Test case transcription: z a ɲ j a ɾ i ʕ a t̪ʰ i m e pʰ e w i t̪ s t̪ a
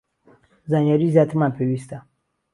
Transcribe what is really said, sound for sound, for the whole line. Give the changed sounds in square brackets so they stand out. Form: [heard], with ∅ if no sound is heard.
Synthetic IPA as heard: z a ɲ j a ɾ i [z] a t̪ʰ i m [a] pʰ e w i [∅] s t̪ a